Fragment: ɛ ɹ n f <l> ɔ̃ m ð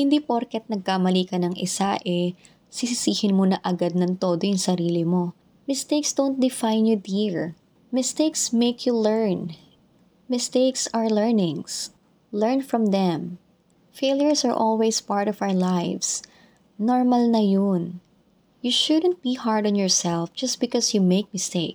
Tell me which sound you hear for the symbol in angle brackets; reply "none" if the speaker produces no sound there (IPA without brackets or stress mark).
ɹ